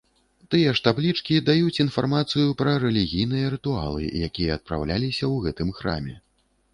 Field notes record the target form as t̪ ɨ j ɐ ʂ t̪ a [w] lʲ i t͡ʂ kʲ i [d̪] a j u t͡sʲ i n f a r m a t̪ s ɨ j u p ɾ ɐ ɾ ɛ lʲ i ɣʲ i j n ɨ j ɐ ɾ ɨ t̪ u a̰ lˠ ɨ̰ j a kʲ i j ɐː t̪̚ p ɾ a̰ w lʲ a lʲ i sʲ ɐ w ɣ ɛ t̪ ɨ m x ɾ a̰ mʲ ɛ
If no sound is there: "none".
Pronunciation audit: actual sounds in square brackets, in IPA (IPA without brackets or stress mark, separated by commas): b, d̪